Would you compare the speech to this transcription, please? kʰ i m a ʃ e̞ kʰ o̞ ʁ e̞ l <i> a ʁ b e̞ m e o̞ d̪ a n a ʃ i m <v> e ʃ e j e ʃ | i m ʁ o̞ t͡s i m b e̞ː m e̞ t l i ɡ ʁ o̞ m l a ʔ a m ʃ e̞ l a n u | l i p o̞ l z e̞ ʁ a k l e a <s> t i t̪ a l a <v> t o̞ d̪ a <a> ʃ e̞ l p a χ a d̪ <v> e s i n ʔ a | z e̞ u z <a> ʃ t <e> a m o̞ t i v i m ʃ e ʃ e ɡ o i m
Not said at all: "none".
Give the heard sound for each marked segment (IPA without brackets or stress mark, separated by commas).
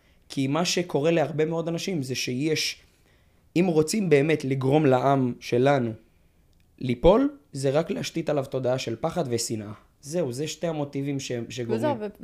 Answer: e, z, ʃ, v, a, v, e, e